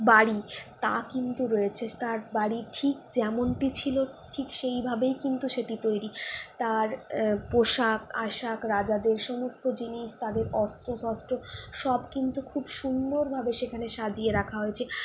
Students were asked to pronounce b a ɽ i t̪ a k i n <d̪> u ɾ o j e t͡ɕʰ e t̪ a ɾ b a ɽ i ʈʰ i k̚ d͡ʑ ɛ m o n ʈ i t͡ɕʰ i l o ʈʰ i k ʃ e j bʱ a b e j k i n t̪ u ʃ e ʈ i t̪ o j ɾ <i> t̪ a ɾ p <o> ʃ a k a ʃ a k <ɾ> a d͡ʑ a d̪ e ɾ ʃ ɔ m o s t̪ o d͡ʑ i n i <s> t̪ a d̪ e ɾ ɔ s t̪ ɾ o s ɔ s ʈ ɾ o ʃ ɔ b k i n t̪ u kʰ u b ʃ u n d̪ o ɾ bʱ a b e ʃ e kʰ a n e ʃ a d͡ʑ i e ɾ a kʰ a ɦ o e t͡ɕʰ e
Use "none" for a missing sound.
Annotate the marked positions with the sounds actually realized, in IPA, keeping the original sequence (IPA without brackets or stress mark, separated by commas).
t̪, i, o, ɾ, ʃ